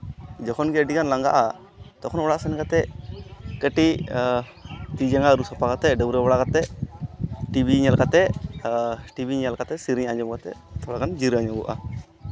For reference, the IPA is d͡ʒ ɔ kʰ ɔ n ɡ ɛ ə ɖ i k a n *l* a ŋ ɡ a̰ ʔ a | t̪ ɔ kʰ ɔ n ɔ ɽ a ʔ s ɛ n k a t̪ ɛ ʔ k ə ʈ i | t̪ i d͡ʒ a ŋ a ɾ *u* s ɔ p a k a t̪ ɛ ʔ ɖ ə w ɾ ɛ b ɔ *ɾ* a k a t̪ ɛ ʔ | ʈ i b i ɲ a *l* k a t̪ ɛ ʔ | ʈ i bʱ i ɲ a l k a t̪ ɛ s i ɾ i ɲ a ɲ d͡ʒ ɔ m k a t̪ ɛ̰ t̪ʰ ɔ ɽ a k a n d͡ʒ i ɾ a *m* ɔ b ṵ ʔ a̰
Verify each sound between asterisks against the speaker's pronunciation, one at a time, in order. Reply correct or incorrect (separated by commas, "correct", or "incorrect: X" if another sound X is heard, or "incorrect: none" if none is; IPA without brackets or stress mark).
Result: correct, correct, incorrect: ɽ, correct, incorrect: ɲ